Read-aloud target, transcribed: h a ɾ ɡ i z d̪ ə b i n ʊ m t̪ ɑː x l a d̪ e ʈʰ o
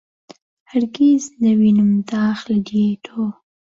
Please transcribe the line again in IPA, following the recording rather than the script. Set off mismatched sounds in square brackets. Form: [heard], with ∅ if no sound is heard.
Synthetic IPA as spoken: h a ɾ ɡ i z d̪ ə [w] i n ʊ m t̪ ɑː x l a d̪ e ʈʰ o